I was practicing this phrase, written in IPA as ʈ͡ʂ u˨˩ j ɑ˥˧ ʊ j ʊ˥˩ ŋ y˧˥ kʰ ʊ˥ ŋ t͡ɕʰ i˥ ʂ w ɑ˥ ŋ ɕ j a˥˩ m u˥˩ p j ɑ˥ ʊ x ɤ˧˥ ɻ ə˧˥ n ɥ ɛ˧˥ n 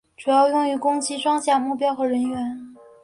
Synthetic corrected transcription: ʈ͡ʂ u˨˩ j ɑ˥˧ ʊ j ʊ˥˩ ŋ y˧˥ k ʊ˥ ŋ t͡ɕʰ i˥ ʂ w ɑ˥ ŋ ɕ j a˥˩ m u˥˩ p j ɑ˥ ʊ x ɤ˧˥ ɻ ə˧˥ n ɥ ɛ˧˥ n